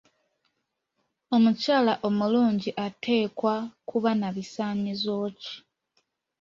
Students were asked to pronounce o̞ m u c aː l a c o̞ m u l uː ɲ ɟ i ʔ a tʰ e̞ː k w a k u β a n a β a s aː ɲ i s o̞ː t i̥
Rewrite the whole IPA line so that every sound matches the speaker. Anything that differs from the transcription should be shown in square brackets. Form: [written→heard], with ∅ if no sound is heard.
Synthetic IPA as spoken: o̞ m u c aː l a [c→ʔ] o̞ m u l uː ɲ ɟ i ʔ a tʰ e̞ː k w a k u β a n a β [a→i] s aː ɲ i [s→z] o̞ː [t→c] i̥